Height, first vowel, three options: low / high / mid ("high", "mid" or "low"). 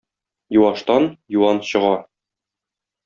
high